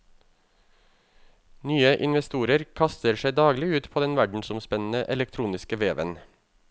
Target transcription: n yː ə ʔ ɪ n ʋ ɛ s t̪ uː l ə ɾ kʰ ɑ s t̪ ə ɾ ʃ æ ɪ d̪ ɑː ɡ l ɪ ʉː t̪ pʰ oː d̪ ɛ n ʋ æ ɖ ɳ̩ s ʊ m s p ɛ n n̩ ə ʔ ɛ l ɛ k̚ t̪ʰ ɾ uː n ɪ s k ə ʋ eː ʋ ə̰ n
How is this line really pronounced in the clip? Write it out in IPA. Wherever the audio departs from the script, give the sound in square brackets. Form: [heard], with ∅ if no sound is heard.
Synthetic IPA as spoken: n yː ə ʔ ɪ n ʋ ɛ s t̪ uː [ɾ] ə ɾ kʰ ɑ s t̪ ə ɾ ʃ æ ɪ d̪ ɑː ɡ l ɪ ʉː t̪ pʰ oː d̪ ɛ n ʋ æ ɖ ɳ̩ s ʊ m s p ɛ n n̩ ə ʔ ɛ l ɛ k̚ t̪ʰ ɾ uː n ɪ s k ə ʋ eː ʋ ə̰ n